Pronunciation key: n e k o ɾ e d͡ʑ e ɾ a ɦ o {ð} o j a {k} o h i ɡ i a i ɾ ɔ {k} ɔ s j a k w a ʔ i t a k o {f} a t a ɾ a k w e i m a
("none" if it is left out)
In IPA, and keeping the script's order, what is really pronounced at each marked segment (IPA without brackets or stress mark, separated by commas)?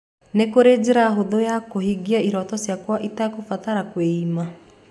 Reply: ð, k, t, f